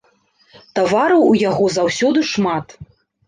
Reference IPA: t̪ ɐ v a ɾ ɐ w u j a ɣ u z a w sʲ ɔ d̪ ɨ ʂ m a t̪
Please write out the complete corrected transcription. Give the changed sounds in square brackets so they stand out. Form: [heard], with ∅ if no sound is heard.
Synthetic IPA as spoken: t̪ [a] v a ɾ ɐ w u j a ɣ [ɔ] z a w sʲ ɔ d̪ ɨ ʂ m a t̪